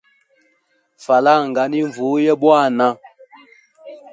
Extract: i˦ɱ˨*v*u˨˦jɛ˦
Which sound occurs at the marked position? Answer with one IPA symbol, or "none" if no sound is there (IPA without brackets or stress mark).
v